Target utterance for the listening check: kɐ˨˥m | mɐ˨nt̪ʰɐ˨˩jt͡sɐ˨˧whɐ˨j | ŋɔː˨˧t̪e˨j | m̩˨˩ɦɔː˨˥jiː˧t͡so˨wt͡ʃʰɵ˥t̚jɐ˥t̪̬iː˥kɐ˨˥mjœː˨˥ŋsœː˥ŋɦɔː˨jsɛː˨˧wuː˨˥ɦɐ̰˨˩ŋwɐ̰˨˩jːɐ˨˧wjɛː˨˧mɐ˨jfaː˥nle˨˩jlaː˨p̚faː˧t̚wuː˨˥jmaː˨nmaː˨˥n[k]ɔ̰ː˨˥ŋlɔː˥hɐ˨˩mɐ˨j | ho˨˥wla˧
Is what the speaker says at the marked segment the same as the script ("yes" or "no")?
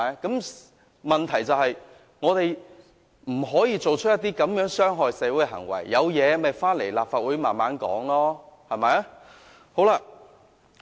yes